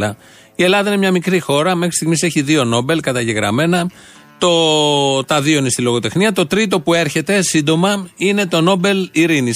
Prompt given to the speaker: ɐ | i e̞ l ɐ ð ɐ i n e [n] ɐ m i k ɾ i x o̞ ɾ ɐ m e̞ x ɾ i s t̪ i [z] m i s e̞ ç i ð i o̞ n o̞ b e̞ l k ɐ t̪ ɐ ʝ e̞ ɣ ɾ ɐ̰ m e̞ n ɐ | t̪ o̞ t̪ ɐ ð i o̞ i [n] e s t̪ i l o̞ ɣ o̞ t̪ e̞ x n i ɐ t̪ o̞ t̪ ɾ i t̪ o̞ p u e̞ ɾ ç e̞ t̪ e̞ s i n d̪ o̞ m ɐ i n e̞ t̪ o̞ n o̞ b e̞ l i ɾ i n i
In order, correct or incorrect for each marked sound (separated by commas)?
incorrect, incorrect, correct